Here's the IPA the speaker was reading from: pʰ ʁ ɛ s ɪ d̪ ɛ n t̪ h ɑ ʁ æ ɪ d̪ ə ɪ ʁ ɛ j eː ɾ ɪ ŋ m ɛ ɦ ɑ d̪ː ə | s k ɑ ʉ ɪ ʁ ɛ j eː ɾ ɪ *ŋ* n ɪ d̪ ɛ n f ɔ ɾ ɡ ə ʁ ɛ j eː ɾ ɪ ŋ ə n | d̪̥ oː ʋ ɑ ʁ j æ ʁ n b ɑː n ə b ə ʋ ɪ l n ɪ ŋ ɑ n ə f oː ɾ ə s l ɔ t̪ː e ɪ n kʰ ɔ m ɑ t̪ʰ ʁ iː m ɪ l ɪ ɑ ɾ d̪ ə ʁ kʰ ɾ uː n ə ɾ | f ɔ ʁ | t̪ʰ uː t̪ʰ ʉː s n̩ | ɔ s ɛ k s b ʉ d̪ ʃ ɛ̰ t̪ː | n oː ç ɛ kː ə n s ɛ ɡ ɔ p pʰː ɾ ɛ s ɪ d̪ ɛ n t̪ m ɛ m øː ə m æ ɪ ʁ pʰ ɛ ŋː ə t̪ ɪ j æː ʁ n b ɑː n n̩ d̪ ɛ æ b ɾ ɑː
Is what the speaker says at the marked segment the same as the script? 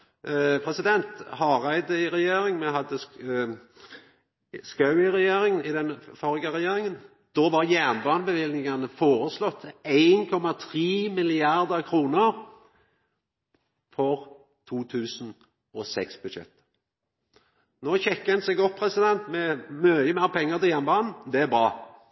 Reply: yes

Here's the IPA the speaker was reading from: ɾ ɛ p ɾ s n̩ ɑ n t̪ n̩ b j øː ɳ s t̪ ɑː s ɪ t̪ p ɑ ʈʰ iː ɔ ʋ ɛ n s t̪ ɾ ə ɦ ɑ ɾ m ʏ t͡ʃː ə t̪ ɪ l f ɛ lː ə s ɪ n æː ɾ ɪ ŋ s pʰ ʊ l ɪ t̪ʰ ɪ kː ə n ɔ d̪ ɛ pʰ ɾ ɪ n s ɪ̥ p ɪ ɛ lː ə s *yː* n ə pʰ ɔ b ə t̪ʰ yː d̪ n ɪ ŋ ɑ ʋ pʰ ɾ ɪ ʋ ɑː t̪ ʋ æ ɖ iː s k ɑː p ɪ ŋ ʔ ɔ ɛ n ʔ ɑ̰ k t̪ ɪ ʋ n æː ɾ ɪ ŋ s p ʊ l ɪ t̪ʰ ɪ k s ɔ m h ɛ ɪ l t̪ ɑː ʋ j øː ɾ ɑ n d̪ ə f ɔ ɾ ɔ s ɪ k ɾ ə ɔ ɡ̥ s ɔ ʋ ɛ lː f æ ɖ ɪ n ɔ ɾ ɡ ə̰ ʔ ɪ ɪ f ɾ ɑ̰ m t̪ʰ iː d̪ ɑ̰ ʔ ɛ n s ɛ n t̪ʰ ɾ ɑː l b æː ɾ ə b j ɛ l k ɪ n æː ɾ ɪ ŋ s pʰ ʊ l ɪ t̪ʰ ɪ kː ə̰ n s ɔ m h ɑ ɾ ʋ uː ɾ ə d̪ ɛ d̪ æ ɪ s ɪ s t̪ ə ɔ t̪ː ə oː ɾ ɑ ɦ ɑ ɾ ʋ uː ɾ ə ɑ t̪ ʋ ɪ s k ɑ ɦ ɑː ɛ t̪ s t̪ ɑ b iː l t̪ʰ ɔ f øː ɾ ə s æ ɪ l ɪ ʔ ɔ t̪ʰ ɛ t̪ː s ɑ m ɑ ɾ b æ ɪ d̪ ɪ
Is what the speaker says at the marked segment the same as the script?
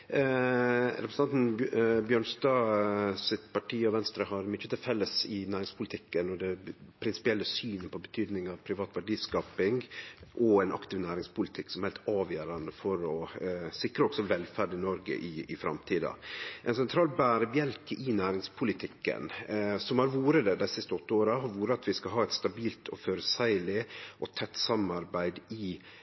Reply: yes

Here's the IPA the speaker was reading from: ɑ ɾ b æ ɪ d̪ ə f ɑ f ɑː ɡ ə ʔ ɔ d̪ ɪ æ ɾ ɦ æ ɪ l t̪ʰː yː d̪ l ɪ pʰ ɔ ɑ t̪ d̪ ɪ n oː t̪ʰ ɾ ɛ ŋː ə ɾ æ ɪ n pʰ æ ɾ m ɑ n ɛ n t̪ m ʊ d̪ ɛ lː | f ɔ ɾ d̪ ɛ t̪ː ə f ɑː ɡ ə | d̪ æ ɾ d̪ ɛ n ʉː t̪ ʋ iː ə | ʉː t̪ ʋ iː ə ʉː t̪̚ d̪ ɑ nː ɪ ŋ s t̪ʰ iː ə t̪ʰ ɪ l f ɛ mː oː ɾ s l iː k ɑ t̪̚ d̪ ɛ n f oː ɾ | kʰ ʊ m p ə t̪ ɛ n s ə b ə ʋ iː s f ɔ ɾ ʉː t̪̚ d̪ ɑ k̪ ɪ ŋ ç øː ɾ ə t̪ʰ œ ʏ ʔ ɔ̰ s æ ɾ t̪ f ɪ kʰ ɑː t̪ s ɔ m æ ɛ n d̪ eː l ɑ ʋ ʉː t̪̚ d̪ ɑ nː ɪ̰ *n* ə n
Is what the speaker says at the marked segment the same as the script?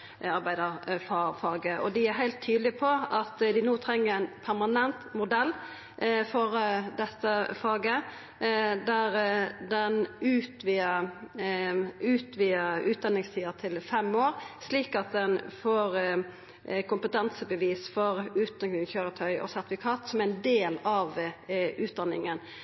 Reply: no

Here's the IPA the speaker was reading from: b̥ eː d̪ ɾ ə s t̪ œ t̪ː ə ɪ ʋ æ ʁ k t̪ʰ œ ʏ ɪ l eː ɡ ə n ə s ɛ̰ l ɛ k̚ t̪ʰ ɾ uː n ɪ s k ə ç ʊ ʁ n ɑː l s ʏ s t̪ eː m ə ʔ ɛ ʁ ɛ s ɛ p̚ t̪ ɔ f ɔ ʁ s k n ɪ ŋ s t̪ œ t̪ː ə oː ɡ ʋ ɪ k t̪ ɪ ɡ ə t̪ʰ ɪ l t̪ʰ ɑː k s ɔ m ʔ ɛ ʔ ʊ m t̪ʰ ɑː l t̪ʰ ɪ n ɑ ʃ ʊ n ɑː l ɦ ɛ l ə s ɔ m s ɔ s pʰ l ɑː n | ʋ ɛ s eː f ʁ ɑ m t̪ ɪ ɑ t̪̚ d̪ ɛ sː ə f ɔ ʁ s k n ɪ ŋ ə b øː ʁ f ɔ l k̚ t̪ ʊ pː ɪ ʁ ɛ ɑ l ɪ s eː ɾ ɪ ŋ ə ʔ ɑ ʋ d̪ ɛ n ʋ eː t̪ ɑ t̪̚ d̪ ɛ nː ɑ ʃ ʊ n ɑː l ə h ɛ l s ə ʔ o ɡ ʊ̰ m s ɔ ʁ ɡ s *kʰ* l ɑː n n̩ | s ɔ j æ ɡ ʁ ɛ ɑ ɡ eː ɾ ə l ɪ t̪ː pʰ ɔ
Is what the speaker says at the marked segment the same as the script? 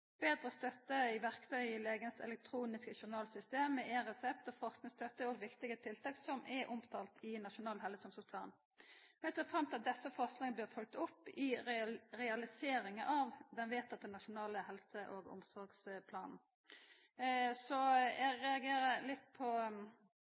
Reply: no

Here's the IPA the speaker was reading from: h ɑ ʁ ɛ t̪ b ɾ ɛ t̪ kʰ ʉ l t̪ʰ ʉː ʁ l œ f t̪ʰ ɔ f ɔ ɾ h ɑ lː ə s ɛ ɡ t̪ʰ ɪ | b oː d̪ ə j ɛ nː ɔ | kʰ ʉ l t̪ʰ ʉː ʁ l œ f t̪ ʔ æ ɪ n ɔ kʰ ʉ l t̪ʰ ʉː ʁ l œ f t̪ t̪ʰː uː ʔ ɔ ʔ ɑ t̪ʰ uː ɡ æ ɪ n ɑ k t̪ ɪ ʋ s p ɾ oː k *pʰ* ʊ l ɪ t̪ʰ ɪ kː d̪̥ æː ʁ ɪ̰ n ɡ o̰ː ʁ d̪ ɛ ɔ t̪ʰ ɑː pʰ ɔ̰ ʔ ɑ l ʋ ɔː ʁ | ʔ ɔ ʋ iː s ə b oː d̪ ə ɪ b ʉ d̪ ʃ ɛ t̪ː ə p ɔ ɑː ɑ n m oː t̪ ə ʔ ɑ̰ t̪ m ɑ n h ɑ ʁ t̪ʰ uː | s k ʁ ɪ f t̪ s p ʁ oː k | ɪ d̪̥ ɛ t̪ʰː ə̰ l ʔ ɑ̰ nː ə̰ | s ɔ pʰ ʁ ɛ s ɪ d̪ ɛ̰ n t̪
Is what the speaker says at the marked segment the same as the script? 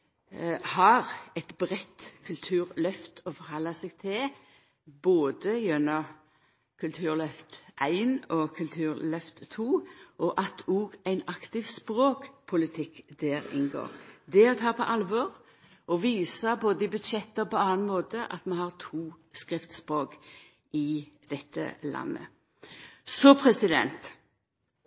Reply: yes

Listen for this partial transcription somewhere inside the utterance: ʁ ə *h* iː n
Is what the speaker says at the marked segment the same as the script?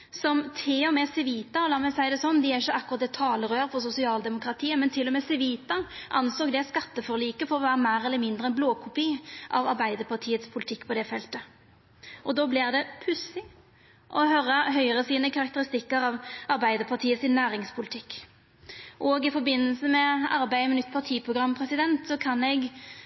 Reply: no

